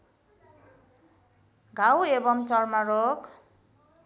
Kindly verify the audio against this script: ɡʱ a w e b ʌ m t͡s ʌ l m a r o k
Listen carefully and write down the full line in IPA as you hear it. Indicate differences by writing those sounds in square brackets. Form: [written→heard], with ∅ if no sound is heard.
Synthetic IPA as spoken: ɡʱ a w e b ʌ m t͡s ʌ [l→r] m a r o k